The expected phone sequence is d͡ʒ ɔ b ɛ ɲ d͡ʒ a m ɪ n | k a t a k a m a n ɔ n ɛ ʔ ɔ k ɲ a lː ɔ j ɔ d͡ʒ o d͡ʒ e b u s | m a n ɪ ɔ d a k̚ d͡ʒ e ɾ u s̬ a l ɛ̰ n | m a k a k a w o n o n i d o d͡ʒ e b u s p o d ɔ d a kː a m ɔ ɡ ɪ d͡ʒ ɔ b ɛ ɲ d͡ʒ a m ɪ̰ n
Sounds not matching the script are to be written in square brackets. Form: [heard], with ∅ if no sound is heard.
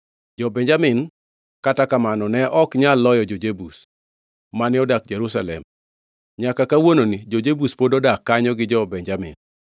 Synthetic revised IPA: d͡ʒ ɔ b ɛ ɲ d͡ʒ a m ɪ n | k a t a k a m a n ɔ n ɛ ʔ ɔ k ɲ a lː ɔ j ɔ d͡ʒ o d͡ʒ e b u s | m a n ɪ ɔ d a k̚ d͡ʒ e ɾ u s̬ a l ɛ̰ [m] | [ɲ] a k a k a w o n o n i [d͡ʒ] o d͡ʒ e b u s p o d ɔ d a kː a [ɲ] ɔ ɡ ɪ d͡ʒ ɔ b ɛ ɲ d͡ʒ a m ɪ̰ n